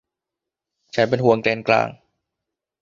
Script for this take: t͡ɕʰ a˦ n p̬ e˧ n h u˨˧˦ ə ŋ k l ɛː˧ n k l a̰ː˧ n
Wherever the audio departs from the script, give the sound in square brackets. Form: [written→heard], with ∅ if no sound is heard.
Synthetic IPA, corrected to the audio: t͡ɕʰ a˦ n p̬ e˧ n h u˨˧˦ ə ŋ k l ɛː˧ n k l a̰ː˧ [n→ŋ]